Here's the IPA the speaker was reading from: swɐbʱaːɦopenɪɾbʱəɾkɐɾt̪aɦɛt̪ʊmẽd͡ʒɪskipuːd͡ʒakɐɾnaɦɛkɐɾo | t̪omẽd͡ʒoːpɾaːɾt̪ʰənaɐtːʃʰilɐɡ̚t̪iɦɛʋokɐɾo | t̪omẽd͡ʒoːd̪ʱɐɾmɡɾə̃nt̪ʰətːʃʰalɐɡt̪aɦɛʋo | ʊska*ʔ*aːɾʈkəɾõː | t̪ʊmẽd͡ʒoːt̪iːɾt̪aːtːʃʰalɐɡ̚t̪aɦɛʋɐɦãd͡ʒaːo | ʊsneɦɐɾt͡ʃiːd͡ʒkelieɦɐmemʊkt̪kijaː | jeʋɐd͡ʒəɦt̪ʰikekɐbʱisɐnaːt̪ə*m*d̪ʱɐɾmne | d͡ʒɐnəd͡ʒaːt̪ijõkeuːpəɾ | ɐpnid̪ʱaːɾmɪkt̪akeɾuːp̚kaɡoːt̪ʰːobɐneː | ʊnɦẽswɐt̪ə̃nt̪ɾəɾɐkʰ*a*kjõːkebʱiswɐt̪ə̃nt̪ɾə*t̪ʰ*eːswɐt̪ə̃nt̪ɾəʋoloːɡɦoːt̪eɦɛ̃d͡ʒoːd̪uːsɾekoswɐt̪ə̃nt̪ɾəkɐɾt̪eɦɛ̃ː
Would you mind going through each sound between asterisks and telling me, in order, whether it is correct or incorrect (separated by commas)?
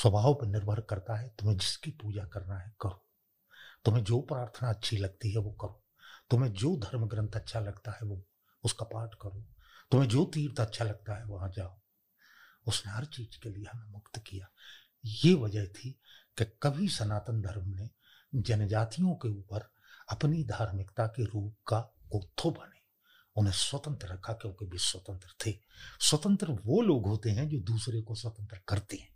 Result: incorrect, incorrect, correct, correct